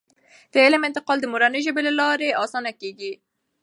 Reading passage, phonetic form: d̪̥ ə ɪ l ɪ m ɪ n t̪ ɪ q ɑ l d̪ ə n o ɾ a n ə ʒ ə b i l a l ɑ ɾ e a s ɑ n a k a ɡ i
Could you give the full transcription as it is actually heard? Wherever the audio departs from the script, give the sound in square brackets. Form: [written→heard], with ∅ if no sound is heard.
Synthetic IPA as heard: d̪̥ ə ɪ l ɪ m ɪ n t̪ ɪ q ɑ l d̪ ə [n→m] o ɾ a n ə ʒ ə b [i→e] l a l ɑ ɾ e [a→ɑ] s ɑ n a k [a→e] ɡ i